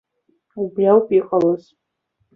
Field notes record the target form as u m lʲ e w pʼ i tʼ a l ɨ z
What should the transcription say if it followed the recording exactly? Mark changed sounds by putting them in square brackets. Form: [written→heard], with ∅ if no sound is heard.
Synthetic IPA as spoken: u [m→b] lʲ [e→a] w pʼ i [tʼ→qʼ] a l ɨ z